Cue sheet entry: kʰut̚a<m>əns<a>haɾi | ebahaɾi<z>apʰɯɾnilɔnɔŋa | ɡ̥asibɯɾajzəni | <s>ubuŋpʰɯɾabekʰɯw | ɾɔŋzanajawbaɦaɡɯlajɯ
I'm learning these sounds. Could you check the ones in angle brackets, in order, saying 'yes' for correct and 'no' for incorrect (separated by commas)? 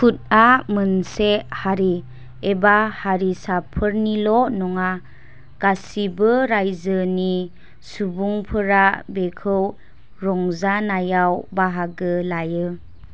yes, no, no, yes